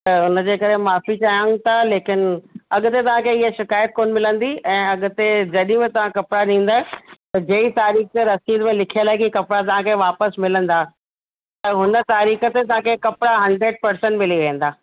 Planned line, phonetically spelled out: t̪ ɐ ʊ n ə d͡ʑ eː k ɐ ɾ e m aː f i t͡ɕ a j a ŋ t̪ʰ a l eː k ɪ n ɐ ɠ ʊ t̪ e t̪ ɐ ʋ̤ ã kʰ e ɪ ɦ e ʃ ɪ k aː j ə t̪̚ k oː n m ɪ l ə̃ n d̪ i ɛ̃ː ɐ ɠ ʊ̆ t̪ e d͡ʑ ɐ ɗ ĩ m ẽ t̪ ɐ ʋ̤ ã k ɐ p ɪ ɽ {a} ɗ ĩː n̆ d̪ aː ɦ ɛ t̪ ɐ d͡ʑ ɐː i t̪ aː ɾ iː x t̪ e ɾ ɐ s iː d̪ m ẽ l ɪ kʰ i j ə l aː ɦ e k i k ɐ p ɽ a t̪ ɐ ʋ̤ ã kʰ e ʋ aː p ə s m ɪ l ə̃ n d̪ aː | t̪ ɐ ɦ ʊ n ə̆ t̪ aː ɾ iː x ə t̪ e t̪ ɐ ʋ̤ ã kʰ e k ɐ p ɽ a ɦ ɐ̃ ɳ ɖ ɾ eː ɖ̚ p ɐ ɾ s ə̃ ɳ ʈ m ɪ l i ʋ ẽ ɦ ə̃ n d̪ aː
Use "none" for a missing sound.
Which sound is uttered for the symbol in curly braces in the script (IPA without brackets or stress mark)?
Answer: a